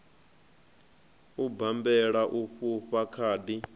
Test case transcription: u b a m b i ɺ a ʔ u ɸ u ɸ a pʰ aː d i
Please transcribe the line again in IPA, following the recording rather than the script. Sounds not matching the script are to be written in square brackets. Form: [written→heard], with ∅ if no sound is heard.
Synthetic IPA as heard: u b a m b [i→ɛ] ɺ a ʔ u ɸ u ɸ a [pʰ→kʰ] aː d i

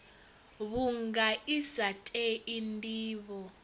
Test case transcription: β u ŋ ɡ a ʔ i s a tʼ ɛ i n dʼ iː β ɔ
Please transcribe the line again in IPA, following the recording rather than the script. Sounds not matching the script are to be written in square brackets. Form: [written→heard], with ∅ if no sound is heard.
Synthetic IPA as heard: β u ŋ ɡ a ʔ i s a tʼ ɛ i n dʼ iː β ɔ

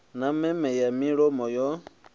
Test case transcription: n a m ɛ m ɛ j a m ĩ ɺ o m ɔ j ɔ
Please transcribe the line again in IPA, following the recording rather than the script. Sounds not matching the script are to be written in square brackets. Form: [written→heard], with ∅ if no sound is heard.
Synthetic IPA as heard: n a m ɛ m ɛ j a m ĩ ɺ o m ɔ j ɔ

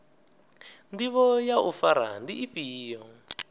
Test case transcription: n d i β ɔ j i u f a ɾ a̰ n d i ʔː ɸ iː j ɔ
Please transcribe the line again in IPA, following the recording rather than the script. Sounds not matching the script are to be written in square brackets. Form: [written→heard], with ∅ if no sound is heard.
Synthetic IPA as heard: n d i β ɔ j [i→a] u f a ɾ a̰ n d i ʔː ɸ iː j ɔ

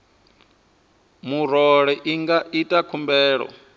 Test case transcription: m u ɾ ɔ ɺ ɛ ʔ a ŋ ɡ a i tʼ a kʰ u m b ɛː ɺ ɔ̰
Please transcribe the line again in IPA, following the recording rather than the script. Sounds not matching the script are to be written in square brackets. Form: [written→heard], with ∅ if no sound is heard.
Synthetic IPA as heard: m u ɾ ɔ ɺ ɛ ʔ [a→i] ŋ ɡ a i tʼ a kʰ u m b ɛː ɺ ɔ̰

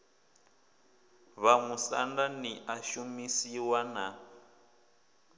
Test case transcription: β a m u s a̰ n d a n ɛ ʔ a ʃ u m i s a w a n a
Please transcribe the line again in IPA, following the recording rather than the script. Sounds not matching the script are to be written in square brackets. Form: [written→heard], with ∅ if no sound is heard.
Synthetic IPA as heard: β a m u s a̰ n d a n [ɛ→i] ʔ a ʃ u m i s [a→i] w a n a

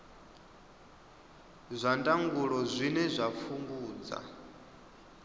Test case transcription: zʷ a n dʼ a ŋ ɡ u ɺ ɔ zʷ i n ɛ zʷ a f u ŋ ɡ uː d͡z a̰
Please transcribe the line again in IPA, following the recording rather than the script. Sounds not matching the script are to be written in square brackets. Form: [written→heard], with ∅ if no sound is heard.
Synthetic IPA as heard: zʷ a n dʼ a ŋ ɡ u ɺ ɔ zʷ i n ɛ zʷ a f u ŋ ɡ uː d͡z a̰

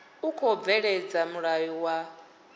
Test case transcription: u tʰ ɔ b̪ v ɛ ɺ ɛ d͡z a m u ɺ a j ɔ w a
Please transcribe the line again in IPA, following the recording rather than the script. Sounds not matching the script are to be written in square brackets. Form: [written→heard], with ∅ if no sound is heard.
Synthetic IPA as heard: u [tʰ→kʰ] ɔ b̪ v ɛ ɺ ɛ d͡z a m u ɺ a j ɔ w a

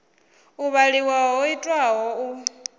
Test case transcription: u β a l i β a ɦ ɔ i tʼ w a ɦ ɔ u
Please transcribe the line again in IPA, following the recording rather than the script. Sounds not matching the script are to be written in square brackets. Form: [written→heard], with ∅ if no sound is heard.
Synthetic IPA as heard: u β a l i [β→w] a ɦ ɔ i tʼ w a ɦ ɔ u

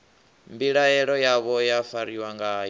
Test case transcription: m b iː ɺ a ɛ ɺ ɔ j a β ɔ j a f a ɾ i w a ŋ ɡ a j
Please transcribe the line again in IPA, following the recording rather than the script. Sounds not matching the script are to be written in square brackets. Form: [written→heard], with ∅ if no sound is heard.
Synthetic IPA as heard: m b [iː→i] ɺ a ɛ ɺ ɔ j a β ɔ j a f a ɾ i w a ŋ ɡ a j

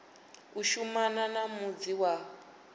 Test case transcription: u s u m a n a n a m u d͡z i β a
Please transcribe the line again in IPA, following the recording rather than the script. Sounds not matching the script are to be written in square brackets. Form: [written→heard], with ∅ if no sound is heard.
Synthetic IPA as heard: u [s→ʃ] u m a n a n a m u d͡z i [β→w] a

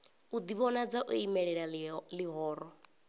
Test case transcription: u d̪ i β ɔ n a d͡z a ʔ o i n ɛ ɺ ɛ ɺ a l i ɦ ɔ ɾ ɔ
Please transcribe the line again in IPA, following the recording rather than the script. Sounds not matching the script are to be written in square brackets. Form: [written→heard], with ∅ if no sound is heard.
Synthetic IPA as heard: u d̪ i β ɔ n a d͡z a ʔ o i [n→m] ɛ ɺ ɛ ɺ a l i ɦ [ɔ→ɔː] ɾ ɔ

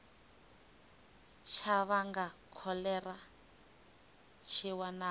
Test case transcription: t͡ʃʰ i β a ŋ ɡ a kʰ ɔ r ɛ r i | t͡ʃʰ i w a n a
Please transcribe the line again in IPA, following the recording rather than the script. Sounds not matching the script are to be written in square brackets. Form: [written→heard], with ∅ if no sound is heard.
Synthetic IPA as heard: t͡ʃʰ [i→a] β a ŋ ɡ a kʰ ɔ [r→l] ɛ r [i→a] | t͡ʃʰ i w a n a

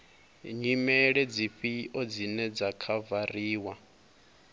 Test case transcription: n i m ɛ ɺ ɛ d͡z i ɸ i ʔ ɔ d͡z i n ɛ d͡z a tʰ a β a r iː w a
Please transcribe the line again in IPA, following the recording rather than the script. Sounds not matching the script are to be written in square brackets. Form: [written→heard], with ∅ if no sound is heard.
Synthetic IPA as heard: [n→ɲ] i m ɛ ɺ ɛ d͡z i ɸ i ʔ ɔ d͡z i n ɛ d͡z a [tʰ→kʰ] a [β→v] a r iː w a

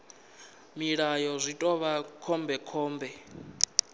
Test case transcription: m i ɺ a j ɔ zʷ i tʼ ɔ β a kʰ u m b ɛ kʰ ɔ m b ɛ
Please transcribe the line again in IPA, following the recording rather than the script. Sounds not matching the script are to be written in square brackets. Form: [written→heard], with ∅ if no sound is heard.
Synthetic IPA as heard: m i ɺ a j ɔ zʷ i tʼ ɔ β a kʰ [u→ɔ] m b ɛ kʰ [ɔ→ɔː] m b ɛ

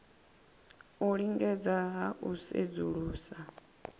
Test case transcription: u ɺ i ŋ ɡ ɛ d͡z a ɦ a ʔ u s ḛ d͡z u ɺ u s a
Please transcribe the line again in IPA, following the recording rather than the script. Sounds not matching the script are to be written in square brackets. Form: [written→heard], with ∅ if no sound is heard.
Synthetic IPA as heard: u ɺ i ŋ ɡ ɛ d͡z a ɦ a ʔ u s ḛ d͡z u ɺ [u→uː] s a

